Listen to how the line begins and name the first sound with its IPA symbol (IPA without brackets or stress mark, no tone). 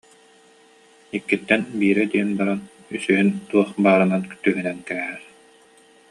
i